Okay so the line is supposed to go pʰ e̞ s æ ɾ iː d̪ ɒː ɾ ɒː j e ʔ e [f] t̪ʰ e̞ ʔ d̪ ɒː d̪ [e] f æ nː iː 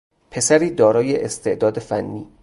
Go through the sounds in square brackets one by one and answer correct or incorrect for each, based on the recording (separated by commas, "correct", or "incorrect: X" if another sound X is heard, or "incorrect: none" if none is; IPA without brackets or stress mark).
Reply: incorrect: s, correct